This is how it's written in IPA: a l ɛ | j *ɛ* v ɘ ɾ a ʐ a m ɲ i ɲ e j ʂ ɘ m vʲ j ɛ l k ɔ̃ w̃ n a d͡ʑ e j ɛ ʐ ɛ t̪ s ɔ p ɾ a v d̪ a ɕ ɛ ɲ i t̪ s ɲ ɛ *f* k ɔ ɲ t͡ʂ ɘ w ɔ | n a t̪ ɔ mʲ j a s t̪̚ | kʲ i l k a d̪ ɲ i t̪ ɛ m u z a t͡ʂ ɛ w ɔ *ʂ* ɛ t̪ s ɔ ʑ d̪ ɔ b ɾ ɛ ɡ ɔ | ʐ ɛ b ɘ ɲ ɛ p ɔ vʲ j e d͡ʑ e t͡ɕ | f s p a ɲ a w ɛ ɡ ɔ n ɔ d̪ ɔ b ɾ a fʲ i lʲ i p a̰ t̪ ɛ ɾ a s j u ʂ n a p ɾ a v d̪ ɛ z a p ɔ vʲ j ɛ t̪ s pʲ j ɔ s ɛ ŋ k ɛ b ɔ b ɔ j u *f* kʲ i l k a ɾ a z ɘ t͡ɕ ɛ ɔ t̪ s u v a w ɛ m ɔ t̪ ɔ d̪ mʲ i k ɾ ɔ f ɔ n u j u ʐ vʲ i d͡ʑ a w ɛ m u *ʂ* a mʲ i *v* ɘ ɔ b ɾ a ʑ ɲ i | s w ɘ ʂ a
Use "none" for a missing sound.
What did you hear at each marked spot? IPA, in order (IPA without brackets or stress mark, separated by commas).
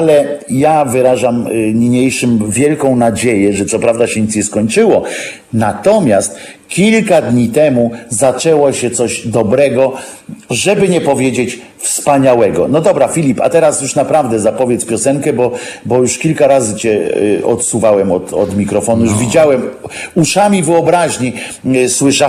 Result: a, s, ɕ, ʂ, ʂ, v